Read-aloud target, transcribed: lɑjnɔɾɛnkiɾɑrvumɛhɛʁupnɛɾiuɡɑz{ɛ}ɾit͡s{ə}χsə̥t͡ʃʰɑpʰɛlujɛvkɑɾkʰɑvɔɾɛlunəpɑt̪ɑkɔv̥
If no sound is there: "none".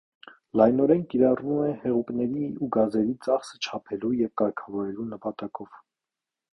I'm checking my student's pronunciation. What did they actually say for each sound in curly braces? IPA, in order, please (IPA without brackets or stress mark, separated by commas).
ɛ, ɑ